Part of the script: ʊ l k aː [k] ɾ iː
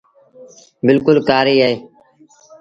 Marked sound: incorrect: none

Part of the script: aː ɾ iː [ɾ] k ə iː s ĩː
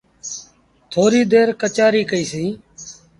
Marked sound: incorrect: none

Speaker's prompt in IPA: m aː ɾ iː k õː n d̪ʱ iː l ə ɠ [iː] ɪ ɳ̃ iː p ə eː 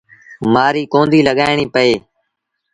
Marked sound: incorrect: aː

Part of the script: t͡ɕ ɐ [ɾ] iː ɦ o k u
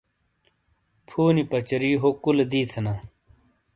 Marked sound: correct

